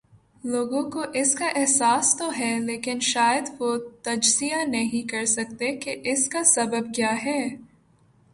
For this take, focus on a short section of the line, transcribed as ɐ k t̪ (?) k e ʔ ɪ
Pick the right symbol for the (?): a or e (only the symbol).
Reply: e